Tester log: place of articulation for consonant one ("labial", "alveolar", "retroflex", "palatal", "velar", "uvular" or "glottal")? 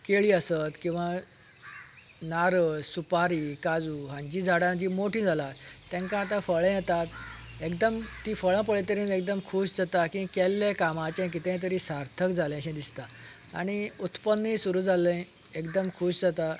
velar